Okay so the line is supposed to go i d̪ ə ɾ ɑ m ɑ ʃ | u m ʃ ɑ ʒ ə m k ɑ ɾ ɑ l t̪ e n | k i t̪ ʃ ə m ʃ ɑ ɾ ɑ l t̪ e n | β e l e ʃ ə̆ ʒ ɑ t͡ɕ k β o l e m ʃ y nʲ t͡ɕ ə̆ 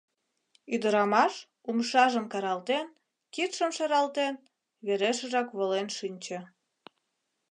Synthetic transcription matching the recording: y d̪ ə ɾ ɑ m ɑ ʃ | u m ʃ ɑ ʒ ə m k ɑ ɾ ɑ l t̪ e n | k i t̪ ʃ ə m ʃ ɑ ɾ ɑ l t̪ e n | β e ɾ e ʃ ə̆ ʒ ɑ k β o l e n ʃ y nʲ t͡ɕ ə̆